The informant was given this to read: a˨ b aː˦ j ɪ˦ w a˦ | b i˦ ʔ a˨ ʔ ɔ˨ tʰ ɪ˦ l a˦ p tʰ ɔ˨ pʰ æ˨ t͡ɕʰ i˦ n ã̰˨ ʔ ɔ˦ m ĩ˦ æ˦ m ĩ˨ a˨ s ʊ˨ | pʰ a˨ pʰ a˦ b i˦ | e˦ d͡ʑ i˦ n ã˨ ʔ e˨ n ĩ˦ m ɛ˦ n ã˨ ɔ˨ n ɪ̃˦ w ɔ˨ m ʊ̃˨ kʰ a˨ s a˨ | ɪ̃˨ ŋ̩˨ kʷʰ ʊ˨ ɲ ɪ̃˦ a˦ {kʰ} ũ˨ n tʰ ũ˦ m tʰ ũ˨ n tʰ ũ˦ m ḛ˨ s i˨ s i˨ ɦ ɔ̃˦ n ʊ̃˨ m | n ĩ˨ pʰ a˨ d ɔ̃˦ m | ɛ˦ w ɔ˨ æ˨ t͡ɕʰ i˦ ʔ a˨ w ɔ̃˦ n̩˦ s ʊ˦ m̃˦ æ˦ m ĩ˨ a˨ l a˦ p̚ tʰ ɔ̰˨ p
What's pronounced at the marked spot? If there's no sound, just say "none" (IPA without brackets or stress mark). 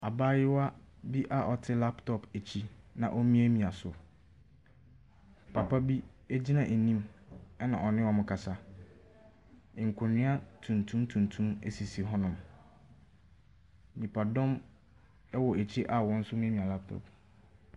tʰ